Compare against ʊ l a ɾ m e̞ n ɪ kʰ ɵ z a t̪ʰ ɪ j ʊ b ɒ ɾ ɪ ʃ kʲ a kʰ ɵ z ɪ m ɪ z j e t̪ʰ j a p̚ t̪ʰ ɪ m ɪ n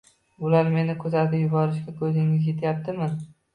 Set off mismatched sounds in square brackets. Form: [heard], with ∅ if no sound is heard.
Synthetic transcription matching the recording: ʊ l a ɾ m e̞ n ɪ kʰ ɵ z a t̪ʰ ɪ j ʊ b ɒ ɾ ɪ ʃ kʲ a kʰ ɵ z ɪ [ŋ] ɪ z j e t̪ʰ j a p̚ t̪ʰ ɪ m ɪ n